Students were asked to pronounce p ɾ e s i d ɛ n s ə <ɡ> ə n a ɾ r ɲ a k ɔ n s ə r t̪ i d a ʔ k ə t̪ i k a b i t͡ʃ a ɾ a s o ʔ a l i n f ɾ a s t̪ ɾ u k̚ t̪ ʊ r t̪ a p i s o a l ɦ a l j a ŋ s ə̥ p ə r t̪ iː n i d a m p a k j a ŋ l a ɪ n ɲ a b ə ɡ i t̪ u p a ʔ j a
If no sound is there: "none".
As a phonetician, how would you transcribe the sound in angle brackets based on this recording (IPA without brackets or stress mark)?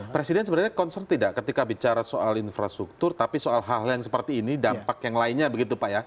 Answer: b